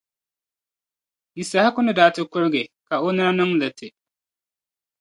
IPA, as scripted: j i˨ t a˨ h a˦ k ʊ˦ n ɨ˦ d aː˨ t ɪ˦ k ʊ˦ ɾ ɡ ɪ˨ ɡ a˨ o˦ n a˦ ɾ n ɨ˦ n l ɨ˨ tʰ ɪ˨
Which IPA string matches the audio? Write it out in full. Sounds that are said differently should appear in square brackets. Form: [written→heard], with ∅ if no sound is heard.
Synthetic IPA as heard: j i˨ [t→s] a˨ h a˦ k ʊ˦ n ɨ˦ d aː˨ t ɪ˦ k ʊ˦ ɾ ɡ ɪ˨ [ɡ→k] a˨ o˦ n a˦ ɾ n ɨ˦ [n→ŋ] l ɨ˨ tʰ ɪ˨